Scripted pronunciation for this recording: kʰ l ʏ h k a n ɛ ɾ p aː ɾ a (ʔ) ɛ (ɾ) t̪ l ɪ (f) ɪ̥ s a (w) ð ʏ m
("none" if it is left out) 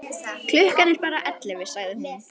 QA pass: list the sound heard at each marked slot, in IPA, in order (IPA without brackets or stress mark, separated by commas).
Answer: ʔ, none, v, ɣ